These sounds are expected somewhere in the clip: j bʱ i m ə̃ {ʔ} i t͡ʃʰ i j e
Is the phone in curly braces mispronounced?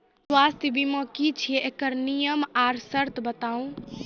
yes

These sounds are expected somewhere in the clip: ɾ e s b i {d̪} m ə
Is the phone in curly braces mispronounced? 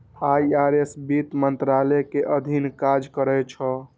yes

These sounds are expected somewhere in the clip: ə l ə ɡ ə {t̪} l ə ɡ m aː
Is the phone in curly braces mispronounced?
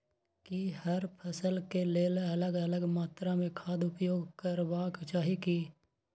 yes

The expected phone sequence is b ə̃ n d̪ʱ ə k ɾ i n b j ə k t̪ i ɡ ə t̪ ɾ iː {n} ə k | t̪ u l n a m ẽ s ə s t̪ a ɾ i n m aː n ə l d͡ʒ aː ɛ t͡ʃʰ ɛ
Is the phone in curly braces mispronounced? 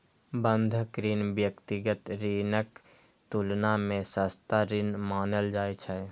no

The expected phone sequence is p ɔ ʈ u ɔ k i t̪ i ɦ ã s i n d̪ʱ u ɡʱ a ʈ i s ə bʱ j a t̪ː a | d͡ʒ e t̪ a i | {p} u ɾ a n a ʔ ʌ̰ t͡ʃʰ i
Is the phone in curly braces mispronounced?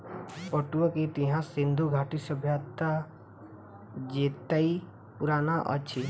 no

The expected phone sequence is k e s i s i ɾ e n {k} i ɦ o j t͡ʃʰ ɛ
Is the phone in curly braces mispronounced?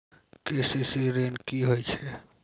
no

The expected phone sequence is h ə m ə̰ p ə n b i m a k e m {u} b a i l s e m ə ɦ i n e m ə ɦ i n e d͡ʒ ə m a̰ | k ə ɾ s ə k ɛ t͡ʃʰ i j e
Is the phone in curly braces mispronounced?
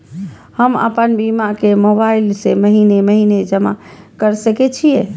yes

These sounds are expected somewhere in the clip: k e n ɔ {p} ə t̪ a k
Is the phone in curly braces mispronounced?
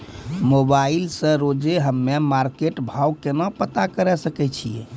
no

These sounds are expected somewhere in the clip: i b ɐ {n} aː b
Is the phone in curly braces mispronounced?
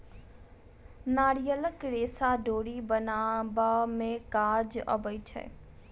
no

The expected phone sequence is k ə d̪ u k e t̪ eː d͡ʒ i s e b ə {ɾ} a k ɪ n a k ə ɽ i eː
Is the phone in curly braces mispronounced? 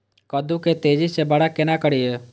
yes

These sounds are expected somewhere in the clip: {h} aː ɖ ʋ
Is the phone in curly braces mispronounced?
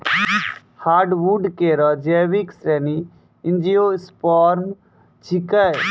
no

